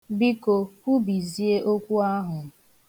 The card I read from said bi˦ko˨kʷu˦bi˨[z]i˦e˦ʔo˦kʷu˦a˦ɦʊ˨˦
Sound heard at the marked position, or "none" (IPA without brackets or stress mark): z